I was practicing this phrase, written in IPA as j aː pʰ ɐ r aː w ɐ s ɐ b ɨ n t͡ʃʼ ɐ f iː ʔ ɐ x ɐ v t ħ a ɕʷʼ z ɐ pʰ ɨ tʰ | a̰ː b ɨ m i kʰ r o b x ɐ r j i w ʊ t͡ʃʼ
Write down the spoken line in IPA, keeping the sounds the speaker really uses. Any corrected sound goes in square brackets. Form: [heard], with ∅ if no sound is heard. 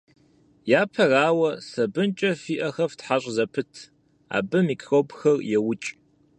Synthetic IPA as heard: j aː pʰ ɐ r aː w ɐ s ɐ b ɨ n t͡ʃʼ ɐ f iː ʔ ɐ x ɐ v t ħ a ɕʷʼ z ɐ pʰ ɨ tʰ | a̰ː b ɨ m i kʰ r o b x ɐ r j [ɛ] w ʊ t͡ʃʼ